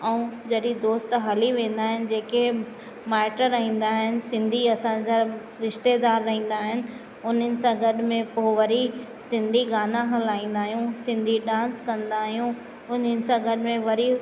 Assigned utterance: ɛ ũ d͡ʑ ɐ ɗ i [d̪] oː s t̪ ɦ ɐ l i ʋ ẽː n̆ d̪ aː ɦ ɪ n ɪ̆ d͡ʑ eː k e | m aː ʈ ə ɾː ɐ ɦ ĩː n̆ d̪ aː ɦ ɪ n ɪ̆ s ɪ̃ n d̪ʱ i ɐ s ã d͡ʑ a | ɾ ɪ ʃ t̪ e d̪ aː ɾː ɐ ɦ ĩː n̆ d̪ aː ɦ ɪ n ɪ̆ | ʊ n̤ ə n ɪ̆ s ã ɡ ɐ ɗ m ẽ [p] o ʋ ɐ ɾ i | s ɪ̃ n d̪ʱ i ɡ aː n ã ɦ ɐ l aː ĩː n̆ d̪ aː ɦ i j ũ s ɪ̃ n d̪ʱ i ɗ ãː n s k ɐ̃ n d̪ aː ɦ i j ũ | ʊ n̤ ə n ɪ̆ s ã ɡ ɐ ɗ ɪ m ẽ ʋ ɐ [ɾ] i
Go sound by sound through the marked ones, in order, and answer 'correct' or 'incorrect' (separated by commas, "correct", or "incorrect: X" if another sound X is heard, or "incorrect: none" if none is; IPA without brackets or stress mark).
correct, correct, correct